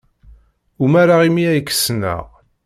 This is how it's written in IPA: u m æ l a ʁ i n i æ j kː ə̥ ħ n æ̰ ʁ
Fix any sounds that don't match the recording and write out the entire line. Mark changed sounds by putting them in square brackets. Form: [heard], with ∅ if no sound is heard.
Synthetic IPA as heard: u m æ [ɾ] a ʁ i [m] i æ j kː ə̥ [s] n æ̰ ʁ